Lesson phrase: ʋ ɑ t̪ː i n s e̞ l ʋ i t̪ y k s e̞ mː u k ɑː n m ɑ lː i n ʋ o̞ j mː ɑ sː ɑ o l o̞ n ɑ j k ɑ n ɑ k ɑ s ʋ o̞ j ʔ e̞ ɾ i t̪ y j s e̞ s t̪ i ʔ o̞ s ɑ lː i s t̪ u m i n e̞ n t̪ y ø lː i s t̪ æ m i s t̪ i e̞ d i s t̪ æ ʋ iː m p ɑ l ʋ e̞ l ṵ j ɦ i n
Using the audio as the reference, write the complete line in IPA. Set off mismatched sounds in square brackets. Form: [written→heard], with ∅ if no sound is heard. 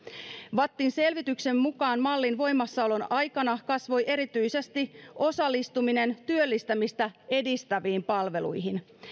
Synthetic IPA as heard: ʋ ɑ t̪ː i n s e̞ l ʋ i t̪ y k s e̞ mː u k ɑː n m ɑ lː i n ʋ o̞ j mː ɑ sː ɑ o l o̞ n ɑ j k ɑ n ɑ k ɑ s ʋ o̞ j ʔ e̞ ɾ i t̪ y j s e̞ s t̪ i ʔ o̞ s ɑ lː i s t̪ u m i n e̞ n t̪ y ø lː i s t̪ æ m i s t̪ [i→æ] e̞ d i s t̪ æ ʋ iː m p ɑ l ʋ e̞ l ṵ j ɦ i n